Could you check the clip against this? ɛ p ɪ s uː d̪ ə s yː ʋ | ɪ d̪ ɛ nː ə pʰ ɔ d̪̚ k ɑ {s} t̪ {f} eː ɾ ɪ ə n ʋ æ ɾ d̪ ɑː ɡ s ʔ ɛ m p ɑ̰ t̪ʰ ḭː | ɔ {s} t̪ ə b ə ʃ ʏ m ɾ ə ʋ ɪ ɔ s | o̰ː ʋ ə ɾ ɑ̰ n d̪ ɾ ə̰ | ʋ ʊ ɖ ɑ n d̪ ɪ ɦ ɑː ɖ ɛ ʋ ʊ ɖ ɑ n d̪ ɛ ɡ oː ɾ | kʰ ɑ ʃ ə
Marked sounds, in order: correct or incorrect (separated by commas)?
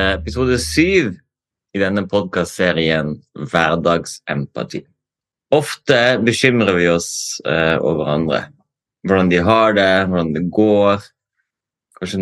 correct, incorrect, incorrect